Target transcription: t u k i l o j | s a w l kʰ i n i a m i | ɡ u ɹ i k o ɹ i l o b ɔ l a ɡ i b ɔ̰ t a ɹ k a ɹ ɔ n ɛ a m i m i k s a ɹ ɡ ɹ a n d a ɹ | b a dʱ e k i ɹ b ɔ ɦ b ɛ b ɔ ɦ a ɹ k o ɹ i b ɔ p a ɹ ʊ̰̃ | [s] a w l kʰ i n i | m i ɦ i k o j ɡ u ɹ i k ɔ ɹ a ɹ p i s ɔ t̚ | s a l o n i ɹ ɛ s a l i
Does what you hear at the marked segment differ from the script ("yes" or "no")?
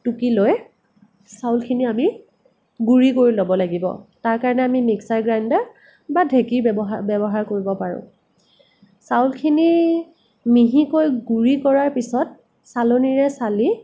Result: no